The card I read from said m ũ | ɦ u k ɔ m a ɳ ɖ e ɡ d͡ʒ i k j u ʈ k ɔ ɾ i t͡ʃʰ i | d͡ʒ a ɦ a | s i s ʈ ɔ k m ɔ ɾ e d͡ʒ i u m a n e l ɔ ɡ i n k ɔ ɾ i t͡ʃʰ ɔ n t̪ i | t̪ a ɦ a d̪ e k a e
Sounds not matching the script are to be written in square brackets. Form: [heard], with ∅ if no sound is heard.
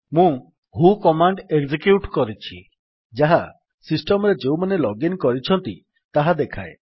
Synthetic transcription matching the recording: m ũ | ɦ u k ɔ m a ɳ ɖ e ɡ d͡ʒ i k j u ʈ k ɔ ɾ i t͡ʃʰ i | d͡ʒ a ɦ a | s i s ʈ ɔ [∅] m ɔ ɾ e d͡ʒ [e] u m a n e l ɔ ɡ i n k ɔ ɾ i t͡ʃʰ ɔ n t̪ i | t̪ a ɦ a d̪ e [kʰ] a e